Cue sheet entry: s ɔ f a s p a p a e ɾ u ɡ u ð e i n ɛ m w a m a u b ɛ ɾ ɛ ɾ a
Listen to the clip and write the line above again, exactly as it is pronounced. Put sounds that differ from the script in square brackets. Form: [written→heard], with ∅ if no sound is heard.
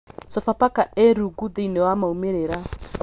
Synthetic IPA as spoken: s ɔ f a [s→∅] p a [p→k] a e ɾ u ɡ u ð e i n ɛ [m→∅] w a m a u [b→m] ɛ ɾ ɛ ɾ a